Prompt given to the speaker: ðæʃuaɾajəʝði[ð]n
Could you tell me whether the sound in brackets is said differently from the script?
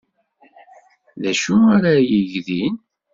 yes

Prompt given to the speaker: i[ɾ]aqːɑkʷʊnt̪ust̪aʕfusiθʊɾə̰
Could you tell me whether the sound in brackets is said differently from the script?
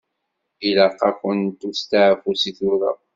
yes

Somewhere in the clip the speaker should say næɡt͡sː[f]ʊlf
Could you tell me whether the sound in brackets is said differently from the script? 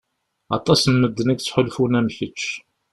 yes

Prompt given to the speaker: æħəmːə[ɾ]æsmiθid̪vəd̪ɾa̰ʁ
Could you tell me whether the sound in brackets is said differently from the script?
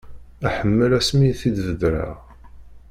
yes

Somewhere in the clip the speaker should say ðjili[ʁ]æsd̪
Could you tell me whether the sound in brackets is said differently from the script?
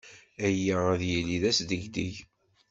yes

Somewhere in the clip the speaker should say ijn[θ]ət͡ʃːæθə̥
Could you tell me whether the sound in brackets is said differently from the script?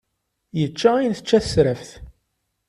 no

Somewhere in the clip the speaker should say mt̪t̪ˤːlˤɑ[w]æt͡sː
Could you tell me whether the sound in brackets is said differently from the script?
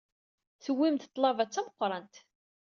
yes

